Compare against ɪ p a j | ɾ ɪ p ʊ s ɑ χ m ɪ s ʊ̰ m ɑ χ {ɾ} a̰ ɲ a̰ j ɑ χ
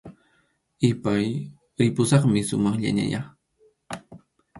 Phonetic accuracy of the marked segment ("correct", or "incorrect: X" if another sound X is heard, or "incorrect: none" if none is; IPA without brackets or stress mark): incorrect: ʎ